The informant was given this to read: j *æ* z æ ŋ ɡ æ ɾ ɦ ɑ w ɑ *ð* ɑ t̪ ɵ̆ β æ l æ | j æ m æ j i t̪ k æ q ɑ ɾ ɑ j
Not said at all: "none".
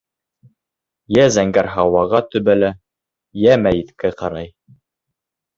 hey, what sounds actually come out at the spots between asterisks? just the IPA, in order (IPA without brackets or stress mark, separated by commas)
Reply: æ, ʁ